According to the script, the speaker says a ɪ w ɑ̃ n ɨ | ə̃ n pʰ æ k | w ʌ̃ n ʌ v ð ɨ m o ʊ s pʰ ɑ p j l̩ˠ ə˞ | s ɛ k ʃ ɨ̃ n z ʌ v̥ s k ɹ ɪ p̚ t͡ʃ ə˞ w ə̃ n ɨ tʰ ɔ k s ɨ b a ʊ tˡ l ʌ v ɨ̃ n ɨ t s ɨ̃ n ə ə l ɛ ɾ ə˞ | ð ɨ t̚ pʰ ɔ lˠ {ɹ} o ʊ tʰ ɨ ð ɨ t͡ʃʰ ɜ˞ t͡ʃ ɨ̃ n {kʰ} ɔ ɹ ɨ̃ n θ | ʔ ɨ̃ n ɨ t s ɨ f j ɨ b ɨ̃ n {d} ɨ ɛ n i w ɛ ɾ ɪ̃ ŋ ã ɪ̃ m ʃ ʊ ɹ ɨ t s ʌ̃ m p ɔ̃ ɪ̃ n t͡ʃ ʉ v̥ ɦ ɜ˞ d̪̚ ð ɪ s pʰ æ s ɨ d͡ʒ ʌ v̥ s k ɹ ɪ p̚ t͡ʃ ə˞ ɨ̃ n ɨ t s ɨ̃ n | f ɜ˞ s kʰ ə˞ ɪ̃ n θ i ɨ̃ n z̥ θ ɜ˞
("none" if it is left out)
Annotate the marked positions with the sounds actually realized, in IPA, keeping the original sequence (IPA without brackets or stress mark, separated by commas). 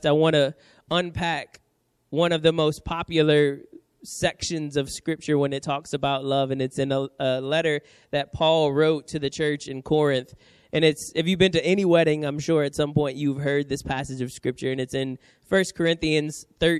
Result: ɹ, kʰ, t